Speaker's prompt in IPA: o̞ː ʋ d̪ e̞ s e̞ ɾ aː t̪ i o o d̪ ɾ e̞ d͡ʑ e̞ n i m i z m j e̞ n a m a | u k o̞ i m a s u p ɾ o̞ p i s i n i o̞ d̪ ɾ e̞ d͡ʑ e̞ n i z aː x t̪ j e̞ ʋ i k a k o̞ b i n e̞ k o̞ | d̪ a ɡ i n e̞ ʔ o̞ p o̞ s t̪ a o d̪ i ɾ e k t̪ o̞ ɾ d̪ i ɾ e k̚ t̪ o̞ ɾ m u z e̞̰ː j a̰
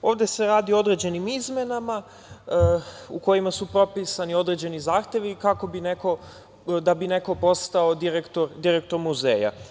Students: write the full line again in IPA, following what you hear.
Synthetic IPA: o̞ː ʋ d̪ e̞ s e̞ ɾ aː d̪ i o o d̪ ɾ e̞ d͡ʑ e̞ n i m i z m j e̞ n a m a | u k o̞ i m a s u p ɾ o̞ p i s a n i o̞ d̪ ɾ e̞ d͡ʑ e̞ n i z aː x t̪ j e̞ ʋ i k a k o̞ b i n e̞ k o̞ | d̪ a b i n e̞ k o̞ p o̞ s t̪ a o d̪ i ɾ e k t̪ o̞ ɾ d̪ i ɾ e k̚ t̪ o̞ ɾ m u z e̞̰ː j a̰